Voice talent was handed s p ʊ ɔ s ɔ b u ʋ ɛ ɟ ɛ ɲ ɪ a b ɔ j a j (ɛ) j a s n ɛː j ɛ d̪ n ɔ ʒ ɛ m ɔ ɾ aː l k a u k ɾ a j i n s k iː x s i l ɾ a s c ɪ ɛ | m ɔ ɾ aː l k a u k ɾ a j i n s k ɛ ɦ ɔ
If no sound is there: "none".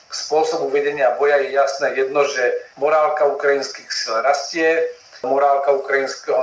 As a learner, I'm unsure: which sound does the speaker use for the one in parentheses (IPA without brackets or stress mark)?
ɛ